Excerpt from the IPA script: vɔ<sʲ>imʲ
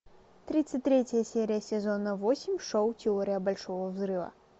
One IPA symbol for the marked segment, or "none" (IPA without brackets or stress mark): sʲ